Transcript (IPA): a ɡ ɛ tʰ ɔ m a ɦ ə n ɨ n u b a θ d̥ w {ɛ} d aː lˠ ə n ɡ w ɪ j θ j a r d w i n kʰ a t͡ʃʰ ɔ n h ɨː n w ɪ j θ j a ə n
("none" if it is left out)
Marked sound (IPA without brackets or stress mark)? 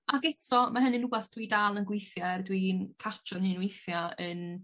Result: i